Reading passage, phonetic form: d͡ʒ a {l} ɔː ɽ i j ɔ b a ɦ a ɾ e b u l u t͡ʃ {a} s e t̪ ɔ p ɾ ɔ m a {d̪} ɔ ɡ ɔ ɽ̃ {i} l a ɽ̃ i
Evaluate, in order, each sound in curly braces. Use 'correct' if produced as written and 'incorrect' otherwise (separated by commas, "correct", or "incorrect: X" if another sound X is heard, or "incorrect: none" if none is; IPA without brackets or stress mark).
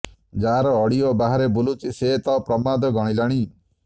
incorrect: ɾ, incorrect: i, correct, correct